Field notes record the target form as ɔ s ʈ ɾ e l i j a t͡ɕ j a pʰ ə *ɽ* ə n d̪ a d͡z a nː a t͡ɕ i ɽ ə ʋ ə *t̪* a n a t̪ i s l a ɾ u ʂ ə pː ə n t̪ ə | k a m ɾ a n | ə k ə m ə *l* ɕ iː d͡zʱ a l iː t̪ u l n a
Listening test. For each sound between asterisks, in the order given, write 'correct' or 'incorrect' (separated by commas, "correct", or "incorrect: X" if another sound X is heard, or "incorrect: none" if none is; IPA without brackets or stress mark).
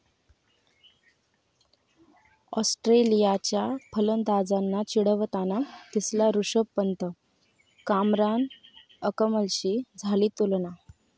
incorrect: l, correct, correct